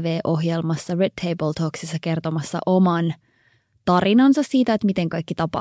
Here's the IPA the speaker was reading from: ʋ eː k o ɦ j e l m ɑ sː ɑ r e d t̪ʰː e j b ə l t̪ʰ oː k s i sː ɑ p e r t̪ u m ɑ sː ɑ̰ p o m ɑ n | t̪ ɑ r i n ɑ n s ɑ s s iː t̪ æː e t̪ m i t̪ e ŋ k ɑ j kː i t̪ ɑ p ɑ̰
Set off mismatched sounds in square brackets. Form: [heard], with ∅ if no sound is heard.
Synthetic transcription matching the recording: ʋ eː [ʔ] o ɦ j e l m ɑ sː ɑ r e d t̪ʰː e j b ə l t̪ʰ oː k s i sː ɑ [k] e r t̪ [o] m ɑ sː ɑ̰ [ʔ] o m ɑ n | t̪ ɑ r i n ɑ n s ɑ s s iː t̪ [æ] e t̪ m i t̪ e ŋ k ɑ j kː i t̪ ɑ p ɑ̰